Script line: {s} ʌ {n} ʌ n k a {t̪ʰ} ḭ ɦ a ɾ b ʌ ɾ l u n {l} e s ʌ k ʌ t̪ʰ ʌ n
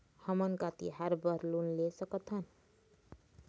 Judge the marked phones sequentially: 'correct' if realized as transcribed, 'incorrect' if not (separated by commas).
incorrect, incorrect, incorrect, correct